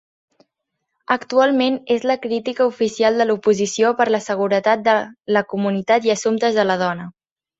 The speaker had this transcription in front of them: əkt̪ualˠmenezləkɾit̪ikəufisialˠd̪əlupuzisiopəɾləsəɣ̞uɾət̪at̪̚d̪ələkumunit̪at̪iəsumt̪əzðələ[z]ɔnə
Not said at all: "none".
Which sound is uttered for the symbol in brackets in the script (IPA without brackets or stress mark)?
ð